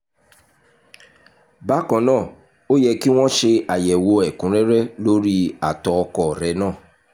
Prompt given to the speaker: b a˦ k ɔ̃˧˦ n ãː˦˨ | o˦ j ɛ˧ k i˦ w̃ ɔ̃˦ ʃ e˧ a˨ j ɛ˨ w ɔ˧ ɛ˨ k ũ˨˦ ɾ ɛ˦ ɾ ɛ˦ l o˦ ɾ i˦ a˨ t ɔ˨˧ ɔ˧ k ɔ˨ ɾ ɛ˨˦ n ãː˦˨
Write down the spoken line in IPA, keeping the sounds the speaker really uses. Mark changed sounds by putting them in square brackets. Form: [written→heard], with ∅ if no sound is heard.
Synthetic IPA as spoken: b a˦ k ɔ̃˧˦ n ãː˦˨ | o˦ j ɛ˧ k i˦ w̃ ɔ̃˦ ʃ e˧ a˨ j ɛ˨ w [ɔ˧→o˧] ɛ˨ k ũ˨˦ ɾ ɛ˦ ɾ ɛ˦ l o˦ ɾ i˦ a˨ t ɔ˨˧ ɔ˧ k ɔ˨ ɾ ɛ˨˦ n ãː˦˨

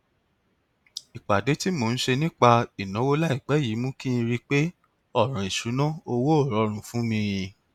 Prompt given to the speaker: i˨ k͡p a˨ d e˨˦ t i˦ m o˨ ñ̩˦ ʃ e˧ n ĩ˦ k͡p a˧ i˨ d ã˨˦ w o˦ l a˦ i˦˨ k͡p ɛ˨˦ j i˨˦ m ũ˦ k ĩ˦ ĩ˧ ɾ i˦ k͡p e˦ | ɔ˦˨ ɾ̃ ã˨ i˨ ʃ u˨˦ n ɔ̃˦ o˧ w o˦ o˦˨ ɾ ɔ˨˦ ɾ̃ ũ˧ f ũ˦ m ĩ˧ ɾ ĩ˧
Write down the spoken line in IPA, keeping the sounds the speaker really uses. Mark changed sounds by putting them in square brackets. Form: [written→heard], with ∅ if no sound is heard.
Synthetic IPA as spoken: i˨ k͡p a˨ d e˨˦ t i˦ m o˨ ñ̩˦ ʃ e˧ n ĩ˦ k͡p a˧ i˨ [d→n] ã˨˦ w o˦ l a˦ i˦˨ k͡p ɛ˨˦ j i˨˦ m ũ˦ k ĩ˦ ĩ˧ ɾ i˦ k͡p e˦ | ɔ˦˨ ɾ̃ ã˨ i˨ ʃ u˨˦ n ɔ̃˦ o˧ w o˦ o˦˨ ɾ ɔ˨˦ ɾ̃ ũ˧ f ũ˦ m ĩ˧ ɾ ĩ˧

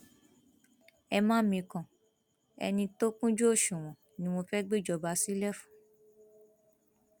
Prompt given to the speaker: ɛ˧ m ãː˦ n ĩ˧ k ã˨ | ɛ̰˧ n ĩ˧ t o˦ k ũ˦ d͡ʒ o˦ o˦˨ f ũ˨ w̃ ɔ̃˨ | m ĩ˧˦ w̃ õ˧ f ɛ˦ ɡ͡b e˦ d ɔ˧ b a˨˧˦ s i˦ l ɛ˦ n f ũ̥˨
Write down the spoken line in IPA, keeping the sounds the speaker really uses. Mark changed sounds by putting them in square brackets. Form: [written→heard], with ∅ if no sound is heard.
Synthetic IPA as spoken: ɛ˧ m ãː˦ [n→m] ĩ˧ k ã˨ | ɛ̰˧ n ĩ˧ t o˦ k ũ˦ d͡ʒ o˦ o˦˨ [f→ʃ] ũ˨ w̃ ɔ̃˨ | [m→n] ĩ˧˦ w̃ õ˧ f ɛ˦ ɡ͡b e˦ [d→d͡ʒ] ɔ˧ b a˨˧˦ s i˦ l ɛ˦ [n→∅] f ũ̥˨

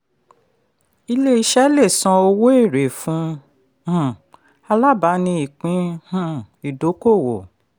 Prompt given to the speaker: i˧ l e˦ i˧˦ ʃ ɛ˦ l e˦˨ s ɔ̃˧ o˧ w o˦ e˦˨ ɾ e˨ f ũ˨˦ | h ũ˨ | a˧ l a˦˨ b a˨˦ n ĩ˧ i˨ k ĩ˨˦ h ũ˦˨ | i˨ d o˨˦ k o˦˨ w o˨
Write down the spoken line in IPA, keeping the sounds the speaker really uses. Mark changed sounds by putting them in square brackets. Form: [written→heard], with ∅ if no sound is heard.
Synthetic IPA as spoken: i˧ l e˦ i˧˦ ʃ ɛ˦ l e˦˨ s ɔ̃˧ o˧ w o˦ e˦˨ ɾ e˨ f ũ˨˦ | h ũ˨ | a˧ l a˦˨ b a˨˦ n ĩ˧ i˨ [k→k͡p] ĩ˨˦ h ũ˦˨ | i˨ d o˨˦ k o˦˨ w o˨

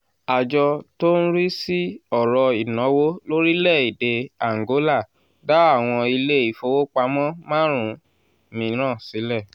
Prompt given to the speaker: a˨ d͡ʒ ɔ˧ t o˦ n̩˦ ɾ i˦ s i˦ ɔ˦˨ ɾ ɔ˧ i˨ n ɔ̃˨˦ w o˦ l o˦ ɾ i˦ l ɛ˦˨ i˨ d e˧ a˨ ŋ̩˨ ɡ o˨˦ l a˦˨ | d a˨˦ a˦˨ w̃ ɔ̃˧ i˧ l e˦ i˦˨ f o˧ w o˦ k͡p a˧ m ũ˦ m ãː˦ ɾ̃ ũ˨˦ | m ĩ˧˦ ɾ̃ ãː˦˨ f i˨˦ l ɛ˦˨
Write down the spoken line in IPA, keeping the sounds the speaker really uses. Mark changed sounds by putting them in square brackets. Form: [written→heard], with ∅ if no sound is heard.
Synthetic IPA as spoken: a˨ d͡ʒ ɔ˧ t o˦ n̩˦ ɾ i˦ s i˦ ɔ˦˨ ɾ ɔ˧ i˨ n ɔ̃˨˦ w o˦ l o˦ ɾ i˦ l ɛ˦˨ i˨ d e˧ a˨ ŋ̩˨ ɡ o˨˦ l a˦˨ | d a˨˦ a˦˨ w̃ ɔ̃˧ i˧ l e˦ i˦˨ f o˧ w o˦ k͡p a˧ m [ũ˦→ɔ̃˦] m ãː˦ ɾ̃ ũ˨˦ | m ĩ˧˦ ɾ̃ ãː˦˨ [f→s] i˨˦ l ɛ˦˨

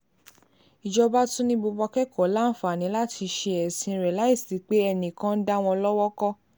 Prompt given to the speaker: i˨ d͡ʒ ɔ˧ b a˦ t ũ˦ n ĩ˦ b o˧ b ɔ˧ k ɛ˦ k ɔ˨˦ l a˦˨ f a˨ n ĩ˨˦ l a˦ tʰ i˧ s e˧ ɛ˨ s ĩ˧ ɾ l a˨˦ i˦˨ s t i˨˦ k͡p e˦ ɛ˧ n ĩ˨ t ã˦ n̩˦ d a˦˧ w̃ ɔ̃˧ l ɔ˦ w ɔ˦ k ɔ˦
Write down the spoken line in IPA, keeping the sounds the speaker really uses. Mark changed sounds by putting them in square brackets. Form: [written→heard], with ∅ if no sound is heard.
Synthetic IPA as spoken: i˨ d͡ʒ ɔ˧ b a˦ t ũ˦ n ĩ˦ b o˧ b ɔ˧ k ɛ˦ k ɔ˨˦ l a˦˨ f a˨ n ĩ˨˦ l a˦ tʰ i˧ [s→ʃ] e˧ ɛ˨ s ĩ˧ ɾ l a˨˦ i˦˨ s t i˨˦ k͡p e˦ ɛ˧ n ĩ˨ [t→k] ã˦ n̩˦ d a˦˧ w̃ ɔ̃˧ l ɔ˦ w ɔ˦ k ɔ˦

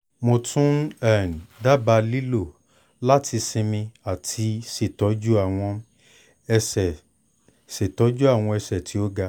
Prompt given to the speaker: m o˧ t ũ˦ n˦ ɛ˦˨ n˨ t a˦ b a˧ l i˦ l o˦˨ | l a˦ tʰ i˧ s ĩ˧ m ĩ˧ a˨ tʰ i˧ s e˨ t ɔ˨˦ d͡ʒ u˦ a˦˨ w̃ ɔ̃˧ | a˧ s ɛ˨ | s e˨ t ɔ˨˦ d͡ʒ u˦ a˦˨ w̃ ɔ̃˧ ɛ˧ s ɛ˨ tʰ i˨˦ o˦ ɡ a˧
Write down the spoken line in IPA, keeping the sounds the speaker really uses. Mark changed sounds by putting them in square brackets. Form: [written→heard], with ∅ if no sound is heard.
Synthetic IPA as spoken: m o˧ t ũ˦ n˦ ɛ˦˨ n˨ [t→d] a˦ b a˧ l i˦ l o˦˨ | l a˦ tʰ i˧ s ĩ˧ m ĩ˧ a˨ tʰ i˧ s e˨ t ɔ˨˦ d͡ʒ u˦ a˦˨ w̃ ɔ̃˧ | [a˧→ɛ˧] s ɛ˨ | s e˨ t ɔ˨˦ d͡ʒ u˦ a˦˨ w̃ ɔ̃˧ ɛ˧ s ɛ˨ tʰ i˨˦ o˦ ɡ a˧

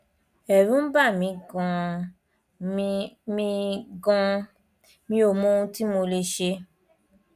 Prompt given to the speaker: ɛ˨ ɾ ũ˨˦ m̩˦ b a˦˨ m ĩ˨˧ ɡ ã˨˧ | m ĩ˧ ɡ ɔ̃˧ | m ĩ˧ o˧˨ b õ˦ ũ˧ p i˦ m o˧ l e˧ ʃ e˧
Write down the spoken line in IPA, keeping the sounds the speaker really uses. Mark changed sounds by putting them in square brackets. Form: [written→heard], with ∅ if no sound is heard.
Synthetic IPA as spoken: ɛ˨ ɾ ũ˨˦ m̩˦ b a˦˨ m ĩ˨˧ ɡ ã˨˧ | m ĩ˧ ɡ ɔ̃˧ | m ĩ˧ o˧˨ [b→m] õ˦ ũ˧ [p→t] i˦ m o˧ l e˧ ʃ e˧

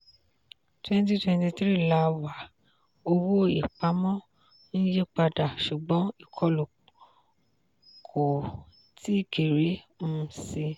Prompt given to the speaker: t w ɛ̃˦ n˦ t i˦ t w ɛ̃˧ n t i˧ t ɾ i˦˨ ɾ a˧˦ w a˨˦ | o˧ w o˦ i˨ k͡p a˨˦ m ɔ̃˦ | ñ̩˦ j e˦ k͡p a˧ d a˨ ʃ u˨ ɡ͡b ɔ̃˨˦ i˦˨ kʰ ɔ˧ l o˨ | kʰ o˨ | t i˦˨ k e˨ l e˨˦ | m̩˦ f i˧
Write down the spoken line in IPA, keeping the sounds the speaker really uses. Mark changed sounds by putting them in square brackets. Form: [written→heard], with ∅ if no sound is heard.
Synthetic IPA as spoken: t w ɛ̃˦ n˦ t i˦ t w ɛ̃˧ n t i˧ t ɾ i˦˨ [ɾ→l] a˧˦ w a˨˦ | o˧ w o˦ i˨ k͡p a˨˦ m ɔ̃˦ | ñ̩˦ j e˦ k͡p a˧ d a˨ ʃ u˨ ɡ͡b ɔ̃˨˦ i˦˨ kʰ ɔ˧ l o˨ | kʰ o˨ | t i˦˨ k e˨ [l→ɾ] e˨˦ | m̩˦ [f→s] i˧

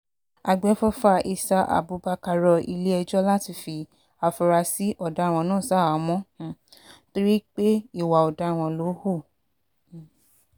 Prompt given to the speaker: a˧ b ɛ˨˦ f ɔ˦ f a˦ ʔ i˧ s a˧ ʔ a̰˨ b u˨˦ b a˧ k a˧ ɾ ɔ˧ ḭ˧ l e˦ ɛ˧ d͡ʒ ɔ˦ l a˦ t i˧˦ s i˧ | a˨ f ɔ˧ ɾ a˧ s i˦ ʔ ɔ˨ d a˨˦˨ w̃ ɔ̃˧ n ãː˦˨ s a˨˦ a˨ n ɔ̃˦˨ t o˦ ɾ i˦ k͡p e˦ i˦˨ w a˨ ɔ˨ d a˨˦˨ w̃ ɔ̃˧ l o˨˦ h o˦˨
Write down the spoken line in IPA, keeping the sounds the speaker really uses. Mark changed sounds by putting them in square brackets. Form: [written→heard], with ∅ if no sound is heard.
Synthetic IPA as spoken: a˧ [b→ɡ͡b] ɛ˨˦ f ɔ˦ f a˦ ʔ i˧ s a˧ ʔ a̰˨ b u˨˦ b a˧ k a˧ ɾ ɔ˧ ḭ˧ l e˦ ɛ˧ d͡ʒ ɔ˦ l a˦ t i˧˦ [s→f] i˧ | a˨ f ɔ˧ ɾ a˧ s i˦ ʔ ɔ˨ d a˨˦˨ w̃ ɔ̃˧ n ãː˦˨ s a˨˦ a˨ [n→m] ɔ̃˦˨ t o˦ ɾ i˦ k͡p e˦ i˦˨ w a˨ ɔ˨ d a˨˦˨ w̃ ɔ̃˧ l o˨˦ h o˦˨

